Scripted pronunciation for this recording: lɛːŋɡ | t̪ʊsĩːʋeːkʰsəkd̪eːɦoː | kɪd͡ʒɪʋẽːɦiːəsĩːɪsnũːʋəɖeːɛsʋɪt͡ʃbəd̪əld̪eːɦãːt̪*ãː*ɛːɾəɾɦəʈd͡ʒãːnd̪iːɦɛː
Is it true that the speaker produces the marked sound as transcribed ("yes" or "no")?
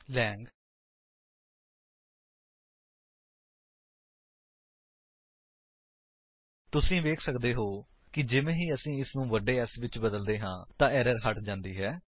yes